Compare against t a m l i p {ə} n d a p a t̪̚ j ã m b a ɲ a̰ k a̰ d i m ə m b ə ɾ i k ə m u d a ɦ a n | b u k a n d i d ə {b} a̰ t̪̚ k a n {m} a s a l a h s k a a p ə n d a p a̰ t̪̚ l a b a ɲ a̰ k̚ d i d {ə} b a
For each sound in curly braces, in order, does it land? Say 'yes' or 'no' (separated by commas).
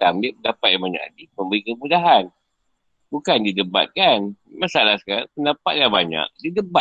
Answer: yes, yes, yes, yes